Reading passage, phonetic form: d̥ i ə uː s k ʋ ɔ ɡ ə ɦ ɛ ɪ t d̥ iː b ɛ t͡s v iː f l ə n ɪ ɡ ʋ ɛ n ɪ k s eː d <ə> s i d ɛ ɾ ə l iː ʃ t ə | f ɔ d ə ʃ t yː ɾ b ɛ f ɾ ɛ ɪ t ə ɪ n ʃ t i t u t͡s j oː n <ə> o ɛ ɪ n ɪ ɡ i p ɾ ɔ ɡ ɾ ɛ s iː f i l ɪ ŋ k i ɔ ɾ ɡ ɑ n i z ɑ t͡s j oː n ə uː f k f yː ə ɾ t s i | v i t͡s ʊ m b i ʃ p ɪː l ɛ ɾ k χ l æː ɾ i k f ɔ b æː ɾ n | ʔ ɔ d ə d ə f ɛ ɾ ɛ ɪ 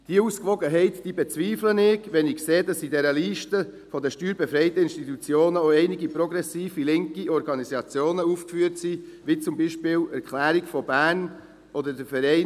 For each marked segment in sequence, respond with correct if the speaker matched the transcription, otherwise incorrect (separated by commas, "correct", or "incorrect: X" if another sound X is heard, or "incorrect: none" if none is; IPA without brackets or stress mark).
incorrect: ɑ, correct